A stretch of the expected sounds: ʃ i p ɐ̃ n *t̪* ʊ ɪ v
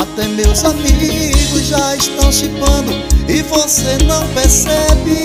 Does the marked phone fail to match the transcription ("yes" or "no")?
yes